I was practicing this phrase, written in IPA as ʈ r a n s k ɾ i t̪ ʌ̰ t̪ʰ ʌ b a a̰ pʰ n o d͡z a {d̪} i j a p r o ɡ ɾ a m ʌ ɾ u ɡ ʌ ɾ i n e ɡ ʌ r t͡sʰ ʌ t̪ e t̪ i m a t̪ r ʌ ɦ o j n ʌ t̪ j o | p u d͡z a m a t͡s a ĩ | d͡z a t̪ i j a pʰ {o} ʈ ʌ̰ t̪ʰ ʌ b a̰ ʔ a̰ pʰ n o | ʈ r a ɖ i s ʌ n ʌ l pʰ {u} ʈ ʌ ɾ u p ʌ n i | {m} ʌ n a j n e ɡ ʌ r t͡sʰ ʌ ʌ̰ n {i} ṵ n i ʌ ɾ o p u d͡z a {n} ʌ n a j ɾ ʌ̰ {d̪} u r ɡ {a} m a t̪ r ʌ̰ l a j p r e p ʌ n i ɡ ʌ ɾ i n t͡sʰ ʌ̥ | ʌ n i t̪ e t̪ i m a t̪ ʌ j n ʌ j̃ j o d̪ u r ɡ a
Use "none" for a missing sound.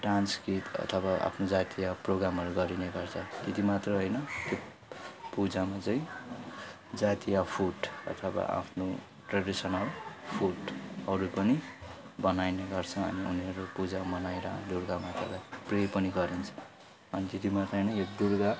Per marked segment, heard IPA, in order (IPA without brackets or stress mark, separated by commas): t̪, u, u, b, i, m, d̪, a